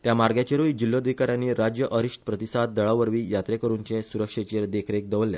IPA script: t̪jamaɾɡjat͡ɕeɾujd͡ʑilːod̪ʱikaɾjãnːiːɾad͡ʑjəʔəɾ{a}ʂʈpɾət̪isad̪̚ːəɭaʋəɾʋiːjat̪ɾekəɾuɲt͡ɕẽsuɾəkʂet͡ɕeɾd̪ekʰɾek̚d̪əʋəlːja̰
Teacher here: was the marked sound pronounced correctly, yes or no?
no